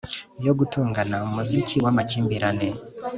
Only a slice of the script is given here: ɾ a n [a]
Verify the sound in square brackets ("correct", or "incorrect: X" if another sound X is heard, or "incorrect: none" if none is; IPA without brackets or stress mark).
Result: incorrect: e